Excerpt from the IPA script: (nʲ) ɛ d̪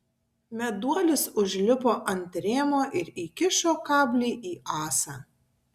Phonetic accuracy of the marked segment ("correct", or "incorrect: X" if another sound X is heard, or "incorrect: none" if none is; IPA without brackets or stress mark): incorrect: mʲ